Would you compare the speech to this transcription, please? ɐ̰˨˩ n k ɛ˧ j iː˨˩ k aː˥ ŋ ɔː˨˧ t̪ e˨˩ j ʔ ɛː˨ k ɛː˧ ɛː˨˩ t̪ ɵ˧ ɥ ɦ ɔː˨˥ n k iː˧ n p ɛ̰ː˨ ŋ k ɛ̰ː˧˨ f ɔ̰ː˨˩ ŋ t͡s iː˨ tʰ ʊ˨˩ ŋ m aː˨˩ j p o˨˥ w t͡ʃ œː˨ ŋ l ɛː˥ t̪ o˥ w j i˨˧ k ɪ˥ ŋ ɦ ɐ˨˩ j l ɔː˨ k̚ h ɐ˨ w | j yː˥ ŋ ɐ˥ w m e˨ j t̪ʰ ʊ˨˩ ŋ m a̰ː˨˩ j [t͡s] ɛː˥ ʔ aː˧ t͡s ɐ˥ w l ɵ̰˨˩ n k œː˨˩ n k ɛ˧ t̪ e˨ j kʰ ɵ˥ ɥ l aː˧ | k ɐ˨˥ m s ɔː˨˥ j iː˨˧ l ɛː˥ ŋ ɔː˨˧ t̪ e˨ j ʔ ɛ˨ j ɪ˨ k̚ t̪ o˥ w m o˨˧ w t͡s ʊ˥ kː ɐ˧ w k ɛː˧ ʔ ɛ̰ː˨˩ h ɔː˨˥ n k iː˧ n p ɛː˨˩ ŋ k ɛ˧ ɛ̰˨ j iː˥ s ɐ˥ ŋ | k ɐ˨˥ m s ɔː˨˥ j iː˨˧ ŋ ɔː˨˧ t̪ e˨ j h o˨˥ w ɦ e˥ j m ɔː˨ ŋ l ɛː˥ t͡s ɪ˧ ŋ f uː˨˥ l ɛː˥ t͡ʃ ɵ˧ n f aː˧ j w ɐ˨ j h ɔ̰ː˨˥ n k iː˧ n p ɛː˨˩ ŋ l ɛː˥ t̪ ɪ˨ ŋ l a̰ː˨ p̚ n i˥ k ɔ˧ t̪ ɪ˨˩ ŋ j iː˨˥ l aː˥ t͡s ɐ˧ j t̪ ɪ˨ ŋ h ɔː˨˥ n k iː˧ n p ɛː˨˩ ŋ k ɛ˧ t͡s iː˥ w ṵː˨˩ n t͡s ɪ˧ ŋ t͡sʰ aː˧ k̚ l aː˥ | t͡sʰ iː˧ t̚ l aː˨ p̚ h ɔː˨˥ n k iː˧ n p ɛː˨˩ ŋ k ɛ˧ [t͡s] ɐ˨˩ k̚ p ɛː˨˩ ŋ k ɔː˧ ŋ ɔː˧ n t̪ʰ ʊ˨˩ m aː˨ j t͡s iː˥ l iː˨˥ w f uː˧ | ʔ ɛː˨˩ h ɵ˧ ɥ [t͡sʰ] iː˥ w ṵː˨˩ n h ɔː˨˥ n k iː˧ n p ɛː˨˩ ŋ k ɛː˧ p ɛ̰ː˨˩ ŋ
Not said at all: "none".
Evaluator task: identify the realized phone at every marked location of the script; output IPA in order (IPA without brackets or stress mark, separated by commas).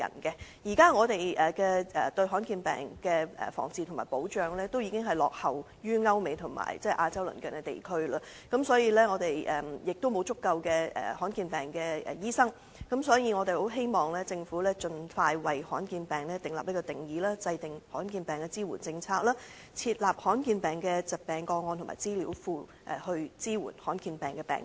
t͡s, t͡s, t͡s